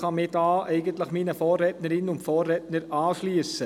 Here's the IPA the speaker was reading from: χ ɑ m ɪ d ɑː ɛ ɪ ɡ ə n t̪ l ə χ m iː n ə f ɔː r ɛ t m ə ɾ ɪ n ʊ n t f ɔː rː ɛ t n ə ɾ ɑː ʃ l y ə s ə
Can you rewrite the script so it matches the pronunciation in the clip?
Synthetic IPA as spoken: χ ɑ m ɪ d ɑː ɛ ɪ ɡ ə n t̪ l ə χ m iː n ə f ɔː r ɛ t n ə ɾ ɪ n ʊ n t f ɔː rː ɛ t n ə ɾ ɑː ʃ l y ə s ə